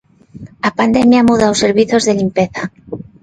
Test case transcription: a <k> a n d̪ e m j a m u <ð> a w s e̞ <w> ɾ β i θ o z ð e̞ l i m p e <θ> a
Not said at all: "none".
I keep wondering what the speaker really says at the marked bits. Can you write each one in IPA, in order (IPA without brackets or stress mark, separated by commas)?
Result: p, ð, none, θ